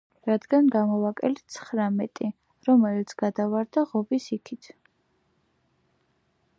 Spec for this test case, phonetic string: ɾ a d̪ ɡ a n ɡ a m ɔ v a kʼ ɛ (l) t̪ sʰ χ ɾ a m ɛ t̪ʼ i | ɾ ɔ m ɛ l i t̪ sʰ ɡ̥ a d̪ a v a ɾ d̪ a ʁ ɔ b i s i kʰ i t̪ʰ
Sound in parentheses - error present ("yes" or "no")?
no